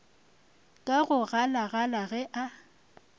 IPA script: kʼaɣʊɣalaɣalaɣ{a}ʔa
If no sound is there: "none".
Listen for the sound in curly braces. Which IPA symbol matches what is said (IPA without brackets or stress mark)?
ɛ